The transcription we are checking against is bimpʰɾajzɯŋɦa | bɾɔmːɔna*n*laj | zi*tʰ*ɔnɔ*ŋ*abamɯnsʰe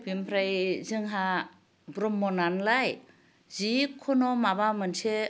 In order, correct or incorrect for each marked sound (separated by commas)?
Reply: correct, incorrect, incorrect